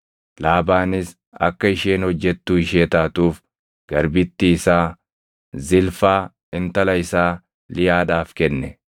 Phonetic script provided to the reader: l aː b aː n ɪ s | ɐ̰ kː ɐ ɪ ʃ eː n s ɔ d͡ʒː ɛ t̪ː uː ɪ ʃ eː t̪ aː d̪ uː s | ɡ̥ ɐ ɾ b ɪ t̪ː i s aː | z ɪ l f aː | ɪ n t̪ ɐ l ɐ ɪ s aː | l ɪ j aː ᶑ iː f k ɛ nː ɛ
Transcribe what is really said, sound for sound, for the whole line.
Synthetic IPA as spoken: l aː b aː n ɪ s | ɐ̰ kː ɐ ɪ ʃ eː n h ɔ d͡ʒː ɛ t̪ː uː ɪ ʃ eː t̪ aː t̪ uː f | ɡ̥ ɐ ɾ b ɪ t̪ː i s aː | z ɪ l f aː | ɪ n t̪ ɐ l ɐ ɪ s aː | l ɪ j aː ᶑ aː f k ɛ nː ɛ